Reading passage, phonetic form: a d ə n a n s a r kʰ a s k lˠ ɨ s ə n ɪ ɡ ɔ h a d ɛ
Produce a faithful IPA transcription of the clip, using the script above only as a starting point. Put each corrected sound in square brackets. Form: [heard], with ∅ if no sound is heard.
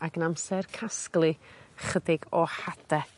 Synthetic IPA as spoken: a [ɡ] ə n a [m] s [ɛ] r kʰ a s k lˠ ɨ [χ] ə [d] ɪ ɡ ɔ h a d ɛ